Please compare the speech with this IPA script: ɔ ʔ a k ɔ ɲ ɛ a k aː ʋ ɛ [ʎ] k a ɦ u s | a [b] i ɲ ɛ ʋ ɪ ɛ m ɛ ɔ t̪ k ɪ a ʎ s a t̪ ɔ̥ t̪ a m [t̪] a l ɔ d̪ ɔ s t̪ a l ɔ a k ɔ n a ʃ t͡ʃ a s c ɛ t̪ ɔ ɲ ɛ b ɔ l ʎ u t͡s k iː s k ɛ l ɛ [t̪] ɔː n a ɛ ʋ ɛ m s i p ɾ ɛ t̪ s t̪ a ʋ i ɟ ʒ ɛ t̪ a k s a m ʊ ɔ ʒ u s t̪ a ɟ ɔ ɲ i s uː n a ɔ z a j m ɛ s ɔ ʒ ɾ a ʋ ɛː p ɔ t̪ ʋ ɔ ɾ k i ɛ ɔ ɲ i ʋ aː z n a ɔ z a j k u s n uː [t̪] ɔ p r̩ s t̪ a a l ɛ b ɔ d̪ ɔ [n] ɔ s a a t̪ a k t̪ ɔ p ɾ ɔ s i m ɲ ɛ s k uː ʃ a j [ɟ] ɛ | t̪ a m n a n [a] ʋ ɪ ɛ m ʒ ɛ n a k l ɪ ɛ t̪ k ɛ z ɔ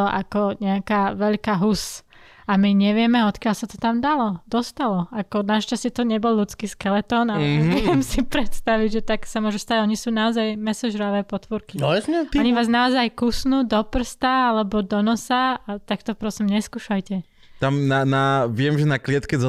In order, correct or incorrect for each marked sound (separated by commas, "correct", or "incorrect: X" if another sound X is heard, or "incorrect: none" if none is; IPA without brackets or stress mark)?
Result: correct, incorrect: m, incorrect: d̪, correct, incorrect: d̪, correct, incorrect: c, correct